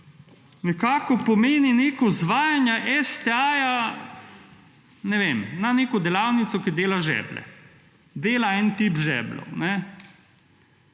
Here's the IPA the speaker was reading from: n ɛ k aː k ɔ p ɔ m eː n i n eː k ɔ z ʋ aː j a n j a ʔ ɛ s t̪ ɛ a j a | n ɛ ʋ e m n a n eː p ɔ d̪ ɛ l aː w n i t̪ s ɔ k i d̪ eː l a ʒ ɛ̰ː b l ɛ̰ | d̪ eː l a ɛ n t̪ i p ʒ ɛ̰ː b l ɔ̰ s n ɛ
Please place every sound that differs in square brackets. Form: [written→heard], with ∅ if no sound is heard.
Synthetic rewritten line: n ɛ k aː k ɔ p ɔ m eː n i n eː k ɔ z ʋ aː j a n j a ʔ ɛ s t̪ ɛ a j a | n ɛ ʋ e m n a n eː [p→k] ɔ d̪ ɛ l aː w n i t̪ s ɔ k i d̪ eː l a ʒ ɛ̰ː b l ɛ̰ | d̪ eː l a ɛ n t̪ i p ʒ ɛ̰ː b l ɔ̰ [s→∅] n ɛ